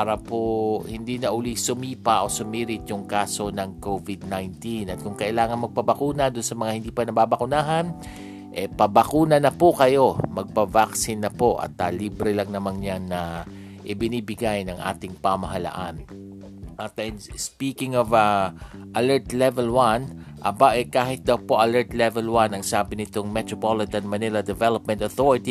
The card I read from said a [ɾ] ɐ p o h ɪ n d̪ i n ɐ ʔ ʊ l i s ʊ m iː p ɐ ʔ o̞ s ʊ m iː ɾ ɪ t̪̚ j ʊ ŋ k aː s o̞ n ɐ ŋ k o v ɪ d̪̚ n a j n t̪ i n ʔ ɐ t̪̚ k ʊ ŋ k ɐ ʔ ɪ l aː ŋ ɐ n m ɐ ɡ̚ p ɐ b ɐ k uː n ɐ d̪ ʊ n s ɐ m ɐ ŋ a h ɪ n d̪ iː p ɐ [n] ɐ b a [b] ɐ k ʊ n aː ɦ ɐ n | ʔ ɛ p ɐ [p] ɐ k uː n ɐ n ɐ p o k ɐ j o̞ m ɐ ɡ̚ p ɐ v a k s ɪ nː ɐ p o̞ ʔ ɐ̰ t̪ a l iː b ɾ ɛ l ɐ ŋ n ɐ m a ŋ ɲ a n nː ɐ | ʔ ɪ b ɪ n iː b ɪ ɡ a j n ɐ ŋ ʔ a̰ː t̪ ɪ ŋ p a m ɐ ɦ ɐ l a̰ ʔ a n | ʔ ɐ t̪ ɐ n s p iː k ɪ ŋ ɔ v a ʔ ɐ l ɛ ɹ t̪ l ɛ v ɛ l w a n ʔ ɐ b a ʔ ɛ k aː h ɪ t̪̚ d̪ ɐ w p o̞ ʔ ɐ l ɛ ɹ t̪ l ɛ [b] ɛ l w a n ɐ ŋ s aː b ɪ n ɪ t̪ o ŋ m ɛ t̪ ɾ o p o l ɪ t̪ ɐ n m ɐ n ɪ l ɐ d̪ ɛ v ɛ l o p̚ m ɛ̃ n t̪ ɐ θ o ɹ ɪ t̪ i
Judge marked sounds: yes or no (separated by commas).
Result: yes, yes, yes, no, no